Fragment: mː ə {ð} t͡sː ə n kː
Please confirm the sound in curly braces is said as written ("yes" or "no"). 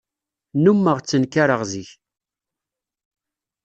no